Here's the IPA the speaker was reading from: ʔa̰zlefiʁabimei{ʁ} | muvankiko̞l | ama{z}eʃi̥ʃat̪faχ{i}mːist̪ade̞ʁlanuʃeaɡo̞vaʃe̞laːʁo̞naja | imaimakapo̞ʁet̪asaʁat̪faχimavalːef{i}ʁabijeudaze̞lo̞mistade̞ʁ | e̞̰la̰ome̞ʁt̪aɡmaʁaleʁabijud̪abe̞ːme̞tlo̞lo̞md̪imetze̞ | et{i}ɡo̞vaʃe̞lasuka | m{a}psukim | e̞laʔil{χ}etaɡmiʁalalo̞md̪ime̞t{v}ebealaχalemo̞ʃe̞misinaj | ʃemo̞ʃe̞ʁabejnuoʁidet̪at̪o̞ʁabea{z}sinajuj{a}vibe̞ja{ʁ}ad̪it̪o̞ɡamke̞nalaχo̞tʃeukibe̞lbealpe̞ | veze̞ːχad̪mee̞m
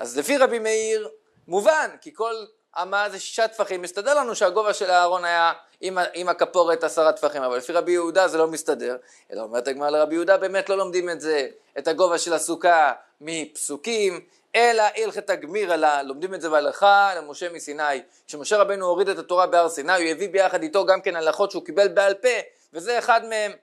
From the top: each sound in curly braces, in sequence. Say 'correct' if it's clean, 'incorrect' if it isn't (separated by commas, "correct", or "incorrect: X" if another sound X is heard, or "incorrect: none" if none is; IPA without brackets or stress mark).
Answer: correct, correct, correct, correct, incorrect: a, incorrect: i, correct, incorrect: z, incorrect: ʁ, incorrect: e, incorrect: χ